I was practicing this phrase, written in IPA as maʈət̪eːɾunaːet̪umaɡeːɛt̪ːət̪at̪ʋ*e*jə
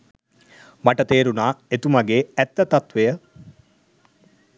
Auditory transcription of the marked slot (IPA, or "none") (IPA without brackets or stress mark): e